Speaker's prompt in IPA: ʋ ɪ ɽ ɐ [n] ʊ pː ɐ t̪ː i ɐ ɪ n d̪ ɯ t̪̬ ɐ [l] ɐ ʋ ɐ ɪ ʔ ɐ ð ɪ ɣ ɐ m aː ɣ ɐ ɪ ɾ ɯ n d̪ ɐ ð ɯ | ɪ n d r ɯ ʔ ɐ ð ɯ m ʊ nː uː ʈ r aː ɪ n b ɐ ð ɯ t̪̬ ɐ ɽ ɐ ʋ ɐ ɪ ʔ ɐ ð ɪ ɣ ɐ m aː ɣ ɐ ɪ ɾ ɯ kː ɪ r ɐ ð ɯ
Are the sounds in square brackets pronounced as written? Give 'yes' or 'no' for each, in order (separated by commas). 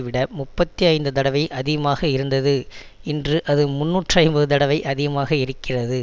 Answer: no, no